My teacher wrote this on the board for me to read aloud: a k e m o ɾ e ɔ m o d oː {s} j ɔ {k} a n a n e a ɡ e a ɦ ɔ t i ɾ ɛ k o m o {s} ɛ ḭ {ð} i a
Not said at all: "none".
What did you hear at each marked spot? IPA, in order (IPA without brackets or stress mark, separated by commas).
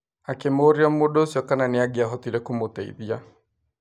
s, k, t, ð